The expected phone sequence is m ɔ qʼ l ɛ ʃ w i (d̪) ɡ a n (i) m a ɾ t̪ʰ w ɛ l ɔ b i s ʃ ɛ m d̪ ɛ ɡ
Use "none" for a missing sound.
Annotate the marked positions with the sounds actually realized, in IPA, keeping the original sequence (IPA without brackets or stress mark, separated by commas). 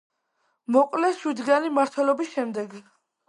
d̪, i